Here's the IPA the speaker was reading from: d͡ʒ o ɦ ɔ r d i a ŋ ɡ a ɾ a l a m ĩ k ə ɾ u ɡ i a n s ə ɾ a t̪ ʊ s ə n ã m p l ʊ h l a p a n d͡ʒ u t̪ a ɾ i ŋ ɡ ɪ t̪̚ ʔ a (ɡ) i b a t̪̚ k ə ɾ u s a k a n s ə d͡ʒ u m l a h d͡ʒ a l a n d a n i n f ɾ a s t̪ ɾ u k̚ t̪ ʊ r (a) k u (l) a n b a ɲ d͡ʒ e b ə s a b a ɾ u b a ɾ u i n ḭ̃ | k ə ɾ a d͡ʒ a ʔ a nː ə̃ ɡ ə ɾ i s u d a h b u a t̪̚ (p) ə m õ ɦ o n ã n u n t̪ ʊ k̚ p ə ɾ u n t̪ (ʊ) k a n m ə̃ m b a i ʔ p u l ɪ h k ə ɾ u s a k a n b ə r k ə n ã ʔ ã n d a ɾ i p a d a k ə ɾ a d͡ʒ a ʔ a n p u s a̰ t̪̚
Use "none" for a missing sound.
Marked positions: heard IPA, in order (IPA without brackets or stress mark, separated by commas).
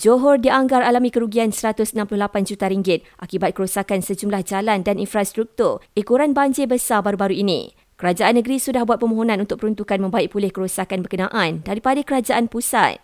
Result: k, i, ɾ, p, u